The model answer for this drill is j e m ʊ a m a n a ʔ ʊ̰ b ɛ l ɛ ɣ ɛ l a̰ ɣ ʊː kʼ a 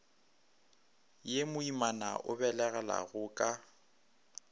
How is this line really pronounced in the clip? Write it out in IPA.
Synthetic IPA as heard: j e m ʊ i m a n a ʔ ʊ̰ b ɛ l ɛ ɣ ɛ l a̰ ɣ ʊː kʼ a